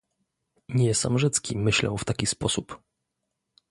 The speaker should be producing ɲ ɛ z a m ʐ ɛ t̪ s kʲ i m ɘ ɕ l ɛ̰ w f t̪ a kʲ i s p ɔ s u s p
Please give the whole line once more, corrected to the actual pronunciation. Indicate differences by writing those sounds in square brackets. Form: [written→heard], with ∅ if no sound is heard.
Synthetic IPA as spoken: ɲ ɛ [z→s] a m ʐ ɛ t̪ s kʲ i m ɘ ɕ l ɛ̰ w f t̪ a kʲ i s p ɔ s u [s→∅] p